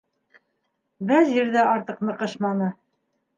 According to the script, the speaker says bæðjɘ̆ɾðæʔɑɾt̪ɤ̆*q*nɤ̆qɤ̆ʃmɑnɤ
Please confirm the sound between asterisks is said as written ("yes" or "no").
yes